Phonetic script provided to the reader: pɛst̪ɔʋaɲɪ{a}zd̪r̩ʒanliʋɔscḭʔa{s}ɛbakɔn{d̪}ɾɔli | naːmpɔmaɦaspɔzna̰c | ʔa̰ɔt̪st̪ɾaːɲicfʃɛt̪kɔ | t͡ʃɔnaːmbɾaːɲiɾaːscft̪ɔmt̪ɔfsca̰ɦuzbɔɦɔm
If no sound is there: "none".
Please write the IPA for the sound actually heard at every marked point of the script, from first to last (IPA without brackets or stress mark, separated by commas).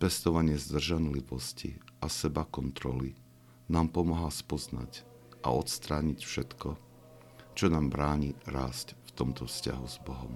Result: ɛ, s, t̪